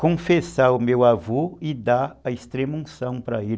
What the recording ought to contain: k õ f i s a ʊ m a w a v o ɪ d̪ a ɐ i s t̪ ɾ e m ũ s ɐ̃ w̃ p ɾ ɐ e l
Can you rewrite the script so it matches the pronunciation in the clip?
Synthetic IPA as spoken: k õ f e s a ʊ m e w a v o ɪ d̪ a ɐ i s t̪ ɾ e m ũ s ɐ̃ w̃ p ɾ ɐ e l